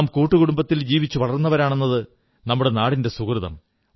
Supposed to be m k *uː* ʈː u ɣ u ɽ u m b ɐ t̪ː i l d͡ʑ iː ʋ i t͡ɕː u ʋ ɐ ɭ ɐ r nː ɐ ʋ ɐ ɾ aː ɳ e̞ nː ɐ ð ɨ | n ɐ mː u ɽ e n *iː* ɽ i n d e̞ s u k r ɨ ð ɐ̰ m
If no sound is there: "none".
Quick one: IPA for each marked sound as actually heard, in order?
uː, aː

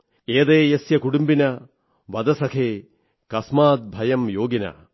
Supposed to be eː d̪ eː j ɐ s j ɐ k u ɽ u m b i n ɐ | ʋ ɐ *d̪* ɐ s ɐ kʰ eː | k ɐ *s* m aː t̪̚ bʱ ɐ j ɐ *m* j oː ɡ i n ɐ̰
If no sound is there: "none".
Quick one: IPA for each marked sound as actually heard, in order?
d̪, s, m

